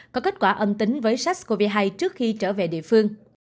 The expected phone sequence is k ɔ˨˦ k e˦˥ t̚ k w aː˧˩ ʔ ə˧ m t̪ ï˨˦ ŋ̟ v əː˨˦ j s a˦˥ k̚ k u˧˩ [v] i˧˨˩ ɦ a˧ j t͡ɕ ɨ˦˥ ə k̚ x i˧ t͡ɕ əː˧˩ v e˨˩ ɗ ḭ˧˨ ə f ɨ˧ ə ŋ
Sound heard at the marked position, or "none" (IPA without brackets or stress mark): v